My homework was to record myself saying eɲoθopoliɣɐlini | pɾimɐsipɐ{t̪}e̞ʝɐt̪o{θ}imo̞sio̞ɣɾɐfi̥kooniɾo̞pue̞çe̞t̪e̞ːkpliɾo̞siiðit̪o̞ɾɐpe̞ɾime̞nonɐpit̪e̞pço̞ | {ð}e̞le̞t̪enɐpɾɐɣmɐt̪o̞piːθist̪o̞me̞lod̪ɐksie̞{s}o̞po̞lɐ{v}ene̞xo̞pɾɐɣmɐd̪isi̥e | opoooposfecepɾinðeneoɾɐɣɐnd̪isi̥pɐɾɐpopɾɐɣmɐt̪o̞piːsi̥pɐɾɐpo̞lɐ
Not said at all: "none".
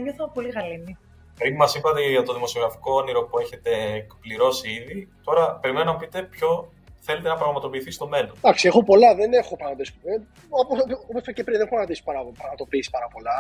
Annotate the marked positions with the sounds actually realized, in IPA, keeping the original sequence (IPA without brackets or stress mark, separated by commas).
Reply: t̪, ð, θ, x, ð